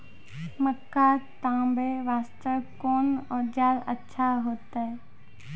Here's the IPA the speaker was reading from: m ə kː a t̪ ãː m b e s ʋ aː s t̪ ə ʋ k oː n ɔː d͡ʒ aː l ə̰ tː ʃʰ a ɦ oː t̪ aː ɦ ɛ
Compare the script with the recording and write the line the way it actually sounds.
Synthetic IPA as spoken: m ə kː a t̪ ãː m b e ʋ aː s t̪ ə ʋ k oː n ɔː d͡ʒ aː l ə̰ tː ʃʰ a ɦ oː t̪ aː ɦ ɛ

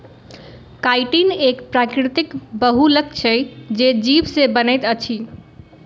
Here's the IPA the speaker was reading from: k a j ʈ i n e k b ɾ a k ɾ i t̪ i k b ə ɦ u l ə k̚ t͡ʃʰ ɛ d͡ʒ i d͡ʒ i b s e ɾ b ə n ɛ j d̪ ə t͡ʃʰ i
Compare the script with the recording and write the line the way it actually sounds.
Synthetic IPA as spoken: k a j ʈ i n e k p ɾ a k ɾ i t̪ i k b ə ɦ u l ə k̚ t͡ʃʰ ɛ d͡ʒ e d͡ʒ i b s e b ə n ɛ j t̪ ə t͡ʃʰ i

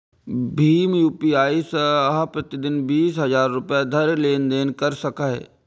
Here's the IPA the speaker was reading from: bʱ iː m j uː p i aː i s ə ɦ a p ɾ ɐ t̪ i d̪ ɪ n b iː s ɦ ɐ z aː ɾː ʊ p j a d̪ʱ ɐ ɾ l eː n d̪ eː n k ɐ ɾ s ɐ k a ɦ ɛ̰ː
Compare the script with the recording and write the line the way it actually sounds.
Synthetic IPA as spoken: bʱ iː m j uː p i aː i s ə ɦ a p ɾ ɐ t̪ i d̪ ɪ n b iː s ɦ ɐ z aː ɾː ʊ p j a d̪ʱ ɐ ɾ l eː n d̪ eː n k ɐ ɾ s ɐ k a ɦ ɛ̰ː

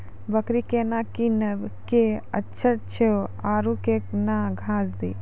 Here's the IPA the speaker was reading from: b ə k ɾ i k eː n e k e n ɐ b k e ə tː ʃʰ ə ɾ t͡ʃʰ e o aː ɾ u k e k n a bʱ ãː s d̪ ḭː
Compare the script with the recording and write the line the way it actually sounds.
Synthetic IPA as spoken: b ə k ɾ i k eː n a k i n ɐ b k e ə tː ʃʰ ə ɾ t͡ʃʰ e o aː ɾ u k e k n a ɡʱ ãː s d̪ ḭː

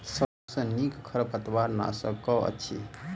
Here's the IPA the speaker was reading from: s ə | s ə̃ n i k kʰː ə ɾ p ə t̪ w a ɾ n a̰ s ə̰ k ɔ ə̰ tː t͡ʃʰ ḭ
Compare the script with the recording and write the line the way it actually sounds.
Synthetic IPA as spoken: s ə | s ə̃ n i k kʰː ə ɾ p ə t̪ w a ɾ n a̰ s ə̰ k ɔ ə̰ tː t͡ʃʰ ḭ

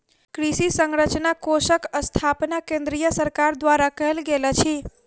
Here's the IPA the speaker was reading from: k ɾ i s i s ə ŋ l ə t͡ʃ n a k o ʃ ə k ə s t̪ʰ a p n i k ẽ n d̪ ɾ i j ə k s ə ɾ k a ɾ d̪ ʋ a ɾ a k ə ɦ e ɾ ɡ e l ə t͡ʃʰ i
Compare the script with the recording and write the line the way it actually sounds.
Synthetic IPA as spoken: k ɾ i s i s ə ŋ ɾ ə t͡ʃ n a k o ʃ ə k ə s t̪ʰ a p n a k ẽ n d̪ ɾ i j ə s ə ɾ k a ɾ d̪ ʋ a ɾ a k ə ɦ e l ɡ e l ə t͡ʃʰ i

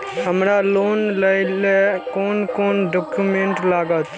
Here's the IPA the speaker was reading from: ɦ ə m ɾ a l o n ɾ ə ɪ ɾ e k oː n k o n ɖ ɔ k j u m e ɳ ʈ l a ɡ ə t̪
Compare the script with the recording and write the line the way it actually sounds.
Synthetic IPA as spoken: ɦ ə m ɾ a l o n l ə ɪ l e k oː n k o n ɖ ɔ k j u m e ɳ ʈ l a ɡ ə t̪

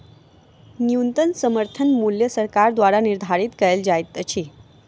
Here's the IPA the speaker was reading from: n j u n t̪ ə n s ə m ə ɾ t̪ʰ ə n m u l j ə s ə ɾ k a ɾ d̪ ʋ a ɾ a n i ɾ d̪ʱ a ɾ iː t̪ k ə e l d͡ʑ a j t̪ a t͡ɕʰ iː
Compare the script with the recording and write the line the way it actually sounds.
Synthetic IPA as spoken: n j u n t̪ ə n s ə m ə ɾ t̪ʰ ə n m u l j ə s ə ɾ k a ɾ d̪ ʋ a ɾ a n i ɾ d̪ʱ a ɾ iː t̪ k ə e l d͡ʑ a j t̪ ə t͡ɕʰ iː

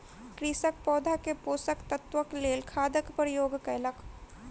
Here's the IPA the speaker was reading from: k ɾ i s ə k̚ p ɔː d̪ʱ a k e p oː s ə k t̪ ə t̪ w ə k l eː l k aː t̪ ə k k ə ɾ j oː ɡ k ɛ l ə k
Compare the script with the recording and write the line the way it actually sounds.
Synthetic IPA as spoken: k ɾ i s ə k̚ p ɔː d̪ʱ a k e p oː s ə k t̪ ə t̪ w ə k l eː l kʰ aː d̪ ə k p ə ɾ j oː ɡ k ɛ l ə k

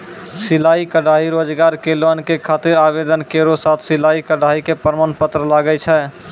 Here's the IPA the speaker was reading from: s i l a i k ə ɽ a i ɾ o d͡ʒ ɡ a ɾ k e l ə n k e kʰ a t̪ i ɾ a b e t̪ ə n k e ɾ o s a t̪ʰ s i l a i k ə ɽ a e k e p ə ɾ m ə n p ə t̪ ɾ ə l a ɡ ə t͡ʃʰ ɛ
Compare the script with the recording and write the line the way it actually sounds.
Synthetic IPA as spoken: s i l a i k ə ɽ a i ɾ o d͡ʒ ɡ a ɾ k e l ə n k e kʰ a t̪ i ɾ a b e d̪ ə n k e ɾ o s a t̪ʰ s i l a i k ə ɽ a i k e p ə ɾ m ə n p ə t̪ ɾ ə l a ɡ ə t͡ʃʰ ɛ

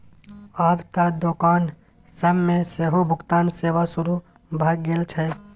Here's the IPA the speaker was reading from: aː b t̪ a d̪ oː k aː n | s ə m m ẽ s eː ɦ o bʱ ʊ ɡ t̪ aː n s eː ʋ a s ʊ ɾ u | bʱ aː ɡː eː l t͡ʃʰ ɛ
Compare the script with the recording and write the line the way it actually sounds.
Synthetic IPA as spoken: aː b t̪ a d̪ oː k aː n | s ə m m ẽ s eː ɦ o bʱ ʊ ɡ t̪ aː n s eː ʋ a s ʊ ɾ u | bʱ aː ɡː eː l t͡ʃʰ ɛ

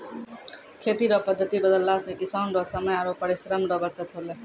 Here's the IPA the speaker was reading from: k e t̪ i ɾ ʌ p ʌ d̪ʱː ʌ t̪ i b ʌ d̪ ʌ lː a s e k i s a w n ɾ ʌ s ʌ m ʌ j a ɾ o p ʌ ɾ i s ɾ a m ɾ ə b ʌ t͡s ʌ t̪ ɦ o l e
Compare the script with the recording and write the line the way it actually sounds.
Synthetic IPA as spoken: kʰ e t̪ i ɾ ʌ p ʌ d̪ʱː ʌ t̪ i b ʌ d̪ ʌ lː a s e k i s a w n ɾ ʌ s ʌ m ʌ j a ɾ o p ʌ ɾ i s ɾ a m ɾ ʌ b ʌ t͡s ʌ t̪ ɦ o l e

